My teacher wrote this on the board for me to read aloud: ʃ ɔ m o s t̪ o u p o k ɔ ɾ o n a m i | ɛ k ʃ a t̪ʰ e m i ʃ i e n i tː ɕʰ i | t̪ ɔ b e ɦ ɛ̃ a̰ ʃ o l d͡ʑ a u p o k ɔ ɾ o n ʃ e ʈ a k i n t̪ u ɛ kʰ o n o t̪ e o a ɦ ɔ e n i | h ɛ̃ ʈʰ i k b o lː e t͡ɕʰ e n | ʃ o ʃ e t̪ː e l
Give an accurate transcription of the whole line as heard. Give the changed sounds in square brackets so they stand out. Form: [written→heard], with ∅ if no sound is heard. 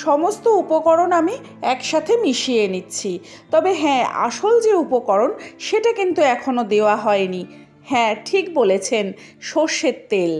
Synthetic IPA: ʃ ɔ m o s t̪ o u p o k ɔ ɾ o n a m i | ɛ k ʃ a t̪ʰ e m i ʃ i e n i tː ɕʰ i | t̪ ɔ b e ɦ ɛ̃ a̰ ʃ o l d͡ʑ [a→e] u p o k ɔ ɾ o n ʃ e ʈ a k i n t̪ u ɛ kʰ o n o [t̪→d̪] e o a ɦ ɔ e n i | h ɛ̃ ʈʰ i k b o [lː→l] e t͡ɕʰ e n | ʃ o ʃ e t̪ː e l